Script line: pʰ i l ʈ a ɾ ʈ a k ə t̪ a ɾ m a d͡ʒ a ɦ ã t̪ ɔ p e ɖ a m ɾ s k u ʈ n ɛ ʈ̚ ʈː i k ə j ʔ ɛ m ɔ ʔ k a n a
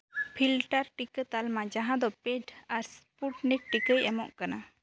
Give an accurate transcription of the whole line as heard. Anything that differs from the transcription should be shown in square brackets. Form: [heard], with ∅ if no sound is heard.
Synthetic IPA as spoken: pʰ i l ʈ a ɾ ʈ [i] k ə t̪ a [l] m a d͡ʒ a ɦ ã [d̪] ɔ p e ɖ a [∅] ɾ s [p] u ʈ n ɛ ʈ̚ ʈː i k ə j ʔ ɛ m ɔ ʔ k a n a